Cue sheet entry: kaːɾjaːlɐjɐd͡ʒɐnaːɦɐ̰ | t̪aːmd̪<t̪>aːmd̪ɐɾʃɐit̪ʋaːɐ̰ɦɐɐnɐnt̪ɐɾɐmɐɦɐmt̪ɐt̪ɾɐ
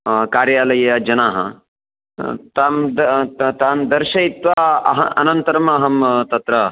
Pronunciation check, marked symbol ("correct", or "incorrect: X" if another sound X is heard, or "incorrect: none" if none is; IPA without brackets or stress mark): correct